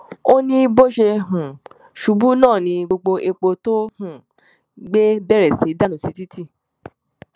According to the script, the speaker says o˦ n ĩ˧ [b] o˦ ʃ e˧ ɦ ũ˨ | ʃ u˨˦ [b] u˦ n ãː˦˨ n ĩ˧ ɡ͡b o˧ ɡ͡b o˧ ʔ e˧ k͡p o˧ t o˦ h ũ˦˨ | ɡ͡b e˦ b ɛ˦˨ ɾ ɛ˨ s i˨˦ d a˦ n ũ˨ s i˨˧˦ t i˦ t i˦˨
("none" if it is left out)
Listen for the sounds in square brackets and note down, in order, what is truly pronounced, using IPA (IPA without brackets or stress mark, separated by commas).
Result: b, b